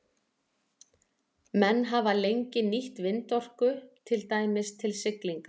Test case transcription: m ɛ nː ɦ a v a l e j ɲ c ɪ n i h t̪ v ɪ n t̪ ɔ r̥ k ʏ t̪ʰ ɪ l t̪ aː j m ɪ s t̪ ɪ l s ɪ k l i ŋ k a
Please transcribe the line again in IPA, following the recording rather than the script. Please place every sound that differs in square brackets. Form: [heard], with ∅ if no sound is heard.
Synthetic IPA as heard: m ɛ nː ɦ a v a l e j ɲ c ɪ n i h t̪ v ɪ n t̪ ɔ r̥ k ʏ t̪ʰ ɪ l t̪ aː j m ɪ s [t̪ʰ] ɪ l s ɪ k l i ŋ k a